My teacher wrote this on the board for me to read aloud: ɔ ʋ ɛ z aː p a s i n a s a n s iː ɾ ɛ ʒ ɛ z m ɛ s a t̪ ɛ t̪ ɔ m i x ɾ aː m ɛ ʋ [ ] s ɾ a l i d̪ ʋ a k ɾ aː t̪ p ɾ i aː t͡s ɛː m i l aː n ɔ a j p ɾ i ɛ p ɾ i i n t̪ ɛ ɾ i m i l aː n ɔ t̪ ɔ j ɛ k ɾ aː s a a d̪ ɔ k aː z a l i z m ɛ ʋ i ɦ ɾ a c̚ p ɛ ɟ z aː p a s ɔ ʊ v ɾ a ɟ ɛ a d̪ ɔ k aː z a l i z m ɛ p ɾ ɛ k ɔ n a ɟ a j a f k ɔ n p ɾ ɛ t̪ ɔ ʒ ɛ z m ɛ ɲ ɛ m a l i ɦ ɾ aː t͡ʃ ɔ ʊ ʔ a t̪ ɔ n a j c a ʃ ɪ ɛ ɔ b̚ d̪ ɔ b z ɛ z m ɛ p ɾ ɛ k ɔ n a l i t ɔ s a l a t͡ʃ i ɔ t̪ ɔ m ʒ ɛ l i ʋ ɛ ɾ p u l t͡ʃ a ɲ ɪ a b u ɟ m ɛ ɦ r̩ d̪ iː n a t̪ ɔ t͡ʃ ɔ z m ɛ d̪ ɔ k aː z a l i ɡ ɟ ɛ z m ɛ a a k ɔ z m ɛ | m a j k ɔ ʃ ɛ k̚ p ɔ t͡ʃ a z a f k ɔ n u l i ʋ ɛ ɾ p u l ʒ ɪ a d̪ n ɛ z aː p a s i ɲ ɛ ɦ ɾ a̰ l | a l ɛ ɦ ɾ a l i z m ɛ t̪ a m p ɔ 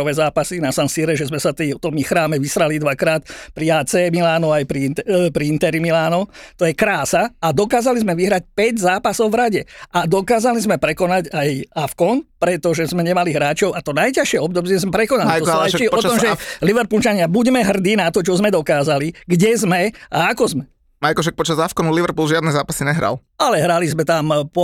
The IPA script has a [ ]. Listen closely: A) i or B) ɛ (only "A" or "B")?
A